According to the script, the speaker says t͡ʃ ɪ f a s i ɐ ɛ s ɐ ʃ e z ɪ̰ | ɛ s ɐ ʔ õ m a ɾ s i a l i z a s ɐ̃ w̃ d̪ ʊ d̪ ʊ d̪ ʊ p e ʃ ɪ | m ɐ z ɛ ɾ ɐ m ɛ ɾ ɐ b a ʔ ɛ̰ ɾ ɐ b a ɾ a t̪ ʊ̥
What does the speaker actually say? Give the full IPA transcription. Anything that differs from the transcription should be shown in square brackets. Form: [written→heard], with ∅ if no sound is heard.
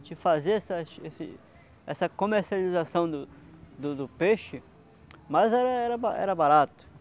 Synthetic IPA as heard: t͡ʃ ɪ f a [s→z] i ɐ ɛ s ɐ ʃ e [z→s] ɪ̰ | ɛ s ɐ [ʔ→k] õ m [a→e] ɾ s i a l i z a s ɐ̃ w̃ d̪ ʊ d̪ ʊ d̪ ʊ p e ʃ ɪ | m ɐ z ɛ ɾ ɐ [m→∅] ɛ ɾ ɐ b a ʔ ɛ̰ ɾ ɐ b a ɾ a t̪ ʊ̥

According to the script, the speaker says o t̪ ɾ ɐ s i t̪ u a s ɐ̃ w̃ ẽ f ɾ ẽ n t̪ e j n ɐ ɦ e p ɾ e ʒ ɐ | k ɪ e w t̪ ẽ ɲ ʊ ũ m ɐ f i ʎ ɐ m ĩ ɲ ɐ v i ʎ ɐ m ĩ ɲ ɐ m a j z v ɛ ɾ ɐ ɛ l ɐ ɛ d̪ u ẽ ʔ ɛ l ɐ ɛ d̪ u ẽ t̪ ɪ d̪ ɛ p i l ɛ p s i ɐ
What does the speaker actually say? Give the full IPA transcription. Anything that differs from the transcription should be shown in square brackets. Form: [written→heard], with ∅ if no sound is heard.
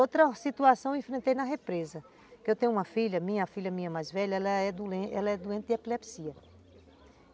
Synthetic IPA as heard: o t̪ ɾ ɐ s i t̪ u a s ɐ̃ w̃ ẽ f ɾ ẽ n t̪ e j n ɐ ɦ e p ɾ e [ʒ→z] ɐ | k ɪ e w t̪ ẽ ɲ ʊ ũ m ɐ f i ʎ ɐ m ĩ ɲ ɐ [v→f] i ʎ ɐ m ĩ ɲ ɐ m a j z v ɛ [ɾ→ʎ] ɐ ɛ l ɐ ɛ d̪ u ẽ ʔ ɛ l ɐ ɛ d̪ u ẽ t̪ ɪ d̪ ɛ p i l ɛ p s i ɐ

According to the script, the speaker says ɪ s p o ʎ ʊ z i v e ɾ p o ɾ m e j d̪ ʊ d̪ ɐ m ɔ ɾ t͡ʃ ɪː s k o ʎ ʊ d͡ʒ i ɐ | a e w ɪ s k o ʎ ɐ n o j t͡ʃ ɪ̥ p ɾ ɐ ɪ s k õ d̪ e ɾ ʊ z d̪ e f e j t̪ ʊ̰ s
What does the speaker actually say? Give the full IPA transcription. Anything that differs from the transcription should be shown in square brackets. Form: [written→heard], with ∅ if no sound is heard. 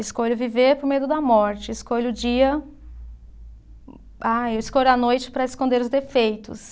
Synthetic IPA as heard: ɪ s [p→k] o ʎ ʊ [z→v] i v e ɾ p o ɾ m e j d̪ ʊ d̪ ɐ m ɔ ɾ t͡ʃ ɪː s k o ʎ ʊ d͡ʒ i ɐ | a e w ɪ s k o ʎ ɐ n o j t͡ʃ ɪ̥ p ɾ ɐ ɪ s k õ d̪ e ɾ ʊ z d̪ e f e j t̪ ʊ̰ s

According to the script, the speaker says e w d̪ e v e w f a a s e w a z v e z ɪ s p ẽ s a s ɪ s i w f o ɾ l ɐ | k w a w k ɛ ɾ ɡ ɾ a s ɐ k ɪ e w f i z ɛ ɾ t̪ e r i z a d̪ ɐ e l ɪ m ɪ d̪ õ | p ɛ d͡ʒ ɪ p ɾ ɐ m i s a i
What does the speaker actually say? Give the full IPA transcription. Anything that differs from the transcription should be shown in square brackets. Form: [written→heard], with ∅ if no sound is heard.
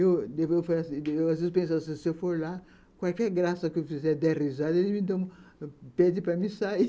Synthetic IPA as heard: e w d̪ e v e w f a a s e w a z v e z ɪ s p ẽ s a s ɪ s [i→e] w f o ɾ l [ɐ→a] | k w a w k ɛ ɾ ɡ ɾ a s ɐ k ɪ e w f i z ɛ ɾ [t̪→d̪] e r i z a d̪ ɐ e l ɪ m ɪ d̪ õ | p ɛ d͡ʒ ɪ p ɾ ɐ m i s a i

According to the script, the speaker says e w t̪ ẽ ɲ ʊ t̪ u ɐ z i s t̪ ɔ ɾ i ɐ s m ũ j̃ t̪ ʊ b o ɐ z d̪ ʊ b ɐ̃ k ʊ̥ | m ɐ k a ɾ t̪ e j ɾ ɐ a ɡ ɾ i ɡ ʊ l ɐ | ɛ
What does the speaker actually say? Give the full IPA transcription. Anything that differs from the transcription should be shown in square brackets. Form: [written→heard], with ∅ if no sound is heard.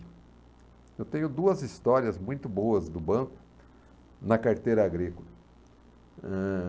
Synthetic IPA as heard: e w t̪ ẽ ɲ ʊ [t̪→d̪] u ɐ z i s t̪ ɔ ɾ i ɐ [s→z] m ũ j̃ t̪ ʊ b o ɐ z d̪ ʊ b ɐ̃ k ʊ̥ | [m→n] ɐ k a ɾ t̪ e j ɾ ɐ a ɡ ɾ i [ɡ→k] ʊ l ɐ | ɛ

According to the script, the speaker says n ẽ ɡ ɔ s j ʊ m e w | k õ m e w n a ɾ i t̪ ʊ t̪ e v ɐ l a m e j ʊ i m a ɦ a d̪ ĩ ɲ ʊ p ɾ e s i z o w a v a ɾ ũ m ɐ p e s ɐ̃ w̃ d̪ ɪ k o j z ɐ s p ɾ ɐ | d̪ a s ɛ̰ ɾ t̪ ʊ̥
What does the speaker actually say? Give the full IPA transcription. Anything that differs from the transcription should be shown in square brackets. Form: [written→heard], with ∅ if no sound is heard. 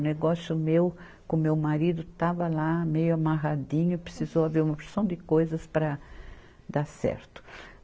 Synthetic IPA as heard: n [ẽ→e] ɡ ɔ s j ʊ m e w | k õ m e w [n→m] a ɾ i [t̪→d̪] ʊ t̪ [e→a] v ɐ l a m e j ʊ [i→a] m a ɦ a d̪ ĩ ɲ ʊ p ɾ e s i z o w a v [a→e] ɾ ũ m ɐ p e s ɐ̃ w̃ d̪ ɪ k o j z ɐ s p ɾ ɐ | d̪ a s ɛ̰ ɾ t̪ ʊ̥

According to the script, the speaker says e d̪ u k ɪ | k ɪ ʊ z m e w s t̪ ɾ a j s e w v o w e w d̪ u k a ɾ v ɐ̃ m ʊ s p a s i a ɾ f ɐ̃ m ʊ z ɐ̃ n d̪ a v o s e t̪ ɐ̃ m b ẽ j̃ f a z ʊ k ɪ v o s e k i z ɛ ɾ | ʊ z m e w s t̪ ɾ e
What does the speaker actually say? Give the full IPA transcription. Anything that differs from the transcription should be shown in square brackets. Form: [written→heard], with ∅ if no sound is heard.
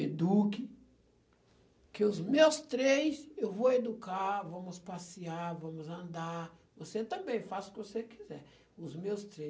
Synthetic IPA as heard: e d̪ u k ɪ | k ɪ ʊ z m e w s t̪ ɾ [a→e] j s e w v o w e [w→∅] d̪ u k a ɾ v ɐ̃ m ʊ s p a s i a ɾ [f→v] ɐ̃ m ʊ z ɐ̃ n d̪ a v o s e t̪ ɐ̃ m b ẽ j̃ f a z ʊ k ɪ v o s e k i z ɛ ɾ | ʊ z m e w s t̪ ɾ e

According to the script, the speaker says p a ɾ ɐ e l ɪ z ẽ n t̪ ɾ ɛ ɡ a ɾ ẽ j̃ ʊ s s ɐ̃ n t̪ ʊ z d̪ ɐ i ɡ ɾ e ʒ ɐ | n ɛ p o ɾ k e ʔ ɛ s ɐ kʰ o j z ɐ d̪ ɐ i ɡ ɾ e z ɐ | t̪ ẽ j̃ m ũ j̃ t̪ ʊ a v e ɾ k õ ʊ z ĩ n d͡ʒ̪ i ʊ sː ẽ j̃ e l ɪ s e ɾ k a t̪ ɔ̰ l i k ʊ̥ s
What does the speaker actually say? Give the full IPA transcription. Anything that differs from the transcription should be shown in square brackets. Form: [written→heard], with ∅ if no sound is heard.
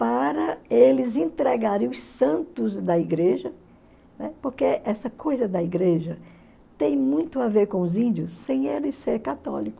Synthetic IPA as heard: p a ɾ ɐ e l ɪ z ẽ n t̪ ɾ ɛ ɡ a ɾ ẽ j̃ ʊ s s ɐ̃ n t̪ ʊ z d̪ ɐ i ɡ ɾ e ʒ ɐ | n ɛ p o ɾ k e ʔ ɛ s ɐ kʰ o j z ɐ d̪ ɐ i ɡ ɾ e [z→ʒ] ɐ | t̪ ẽ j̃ m ũ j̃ t̪ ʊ a v e ɾ k õ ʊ z ĩ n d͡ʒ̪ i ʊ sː ẽ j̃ e l ɪ s e ɾ k a t̪ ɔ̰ l i k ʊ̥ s

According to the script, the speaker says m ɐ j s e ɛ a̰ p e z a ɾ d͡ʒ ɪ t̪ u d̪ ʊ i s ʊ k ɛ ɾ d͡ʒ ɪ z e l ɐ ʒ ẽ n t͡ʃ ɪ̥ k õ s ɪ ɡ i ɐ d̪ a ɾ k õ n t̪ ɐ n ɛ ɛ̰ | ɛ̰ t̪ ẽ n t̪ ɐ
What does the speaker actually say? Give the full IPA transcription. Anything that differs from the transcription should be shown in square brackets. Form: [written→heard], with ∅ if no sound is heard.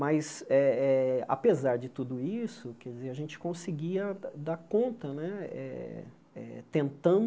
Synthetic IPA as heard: m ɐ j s [e→ɛ] ɛ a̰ p e z a ɾ d͡ʒ ɪ t̪ u d̪ ʊ i s ʊ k ɛ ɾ d͡ʒ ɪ z e [l→ɾ] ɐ ʒ ẽ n t͡ʃ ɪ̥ k õ s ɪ ɡ i ɐ d̪ a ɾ k õ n t̪ ɐ n ɛ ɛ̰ | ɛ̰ t̪ ẽ n t̪ [ɐ→ɐ̃]

